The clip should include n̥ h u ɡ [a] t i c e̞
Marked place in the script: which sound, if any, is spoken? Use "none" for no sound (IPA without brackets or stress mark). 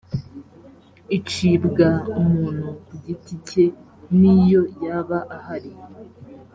i